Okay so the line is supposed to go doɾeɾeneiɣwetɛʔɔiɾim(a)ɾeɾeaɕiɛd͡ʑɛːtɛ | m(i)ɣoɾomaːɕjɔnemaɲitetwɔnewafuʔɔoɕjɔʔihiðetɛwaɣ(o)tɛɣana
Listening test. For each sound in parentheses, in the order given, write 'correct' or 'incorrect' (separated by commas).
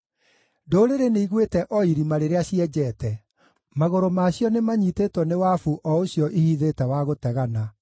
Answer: correct, incorrect, correct